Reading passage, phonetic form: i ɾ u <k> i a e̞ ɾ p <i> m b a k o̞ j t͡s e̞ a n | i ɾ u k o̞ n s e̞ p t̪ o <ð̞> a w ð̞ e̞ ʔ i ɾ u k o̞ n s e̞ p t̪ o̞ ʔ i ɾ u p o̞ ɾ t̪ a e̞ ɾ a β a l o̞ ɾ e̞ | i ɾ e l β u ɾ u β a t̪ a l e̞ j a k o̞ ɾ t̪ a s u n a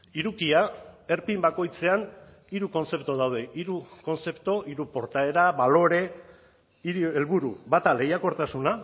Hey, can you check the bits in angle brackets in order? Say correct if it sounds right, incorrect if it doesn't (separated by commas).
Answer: correct, correct, correct